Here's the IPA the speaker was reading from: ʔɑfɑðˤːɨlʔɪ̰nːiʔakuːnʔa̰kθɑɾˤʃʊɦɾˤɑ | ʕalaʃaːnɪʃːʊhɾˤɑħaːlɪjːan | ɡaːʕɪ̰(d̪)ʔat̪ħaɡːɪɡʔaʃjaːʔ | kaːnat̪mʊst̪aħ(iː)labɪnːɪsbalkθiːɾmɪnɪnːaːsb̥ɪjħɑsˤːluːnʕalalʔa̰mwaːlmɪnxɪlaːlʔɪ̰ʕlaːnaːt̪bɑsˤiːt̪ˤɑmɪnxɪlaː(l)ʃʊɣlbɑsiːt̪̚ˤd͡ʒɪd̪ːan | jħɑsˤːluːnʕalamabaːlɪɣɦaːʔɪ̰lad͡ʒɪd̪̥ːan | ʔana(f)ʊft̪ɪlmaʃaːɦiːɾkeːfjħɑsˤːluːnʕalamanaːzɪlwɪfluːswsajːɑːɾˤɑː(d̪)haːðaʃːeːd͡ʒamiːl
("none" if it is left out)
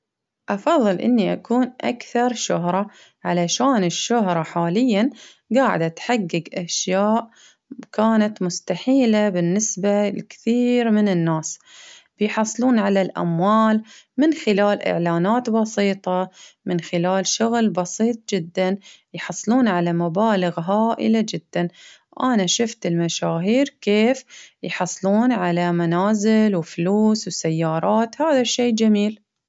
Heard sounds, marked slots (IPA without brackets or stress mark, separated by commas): d̪, iː, l, ʃ, t̪